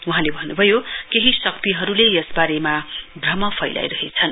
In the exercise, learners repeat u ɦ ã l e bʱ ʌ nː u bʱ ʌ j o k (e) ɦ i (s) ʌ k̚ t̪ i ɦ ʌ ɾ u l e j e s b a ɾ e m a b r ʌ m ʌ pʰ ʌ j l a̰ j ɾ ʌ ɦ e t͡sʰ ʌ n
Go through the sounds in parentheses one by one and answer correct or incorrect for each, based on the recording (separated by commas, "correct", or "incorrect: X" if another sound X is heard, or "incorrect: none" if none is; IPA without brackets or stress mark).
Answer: correct, correct